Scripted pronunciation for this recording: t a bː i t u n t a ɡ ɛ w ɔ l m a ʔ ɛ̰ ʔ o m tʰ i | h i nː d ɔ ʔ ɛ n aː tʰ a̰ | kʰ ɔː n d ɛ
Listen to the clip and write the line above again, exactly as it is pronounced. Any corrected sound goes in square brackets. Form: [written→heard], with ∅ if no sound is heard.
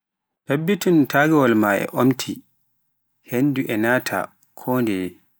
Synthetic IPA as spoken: t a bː i t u n t a ɡ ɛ w ɔ l m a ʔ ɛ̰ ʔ o m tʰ i | h [i→e] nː d [ɔ→u] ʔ ɛ n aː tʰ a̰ | kʰ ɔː n d ɛ